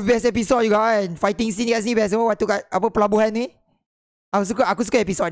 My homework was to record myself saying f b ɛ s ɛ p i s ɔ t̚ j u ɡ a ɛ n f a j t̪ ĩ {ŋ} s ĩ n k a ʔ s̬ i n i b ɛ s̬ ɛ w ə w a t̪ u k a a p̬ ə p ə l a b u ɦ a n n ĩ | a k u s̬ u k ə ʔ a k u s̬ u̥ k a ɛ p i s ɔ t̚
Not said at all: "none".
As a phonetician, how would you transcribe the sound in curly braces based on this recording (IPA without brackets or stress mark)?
ŋ